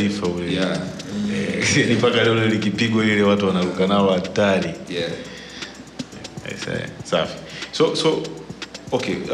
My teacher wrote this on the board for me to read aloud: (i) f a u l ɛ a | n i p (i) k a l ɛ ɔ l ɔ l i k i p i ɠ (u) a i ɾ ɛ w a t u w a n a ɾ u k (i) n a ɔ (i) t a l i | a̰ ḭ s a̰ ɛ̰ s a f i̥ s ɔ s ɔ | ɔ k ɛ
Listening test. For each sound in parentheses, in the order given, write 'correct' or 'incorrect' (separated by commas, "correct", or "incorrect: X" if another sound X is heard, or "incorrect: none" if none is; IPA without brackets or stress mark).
correct, incorrect: a, incorrect: w, incorrect: a, incorrect: a